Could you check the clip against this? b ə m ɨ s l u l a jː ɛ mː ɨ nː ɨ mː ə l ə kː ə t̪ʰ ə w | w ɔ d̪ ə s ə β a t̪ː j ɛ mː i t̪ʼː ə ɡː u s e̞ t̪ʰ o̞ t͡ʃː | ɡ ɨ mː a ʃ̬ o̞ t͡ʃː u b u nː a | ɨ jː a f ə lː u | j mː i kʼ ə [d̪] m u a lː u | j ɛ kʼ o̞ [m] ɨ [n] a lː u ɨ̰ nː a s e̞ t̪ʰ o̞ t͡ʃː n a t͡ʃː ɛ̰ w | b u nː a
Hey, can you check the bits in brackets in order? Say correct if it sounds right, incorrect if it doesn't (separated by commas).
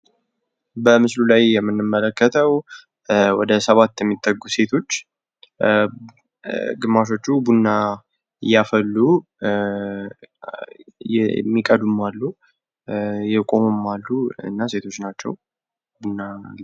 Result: correct, correct, incorrect